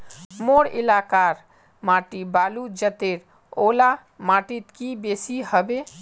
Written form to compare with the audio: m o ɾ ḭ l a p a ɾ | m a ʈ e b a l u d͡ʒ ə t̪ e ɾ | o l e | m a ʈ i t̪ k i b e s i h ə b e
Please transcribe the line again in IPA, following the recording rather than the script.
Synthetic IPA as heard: m o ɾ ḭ l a k a ɾ | m a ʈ i b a l u d͡ʒ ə t̪ e ɾ | o l a | m a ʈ i t̪ k i b e s i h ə b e